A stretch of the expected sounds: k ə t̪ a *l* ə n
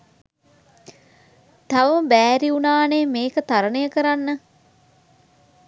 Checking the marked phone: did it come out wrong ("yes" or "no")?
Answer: yes